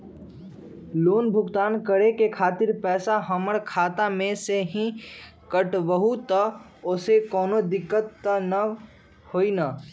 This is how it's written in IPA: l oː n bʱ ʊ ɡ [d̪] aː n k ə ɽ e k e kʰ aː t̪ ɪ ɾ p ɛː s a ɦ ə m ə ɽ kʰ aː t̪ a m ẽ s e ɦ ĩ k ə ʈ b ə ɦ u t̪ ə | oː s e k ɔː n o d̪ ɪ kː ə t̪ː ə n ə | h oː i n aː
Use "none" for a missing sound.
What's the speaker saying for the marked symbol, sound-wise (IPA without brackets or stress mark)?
t̪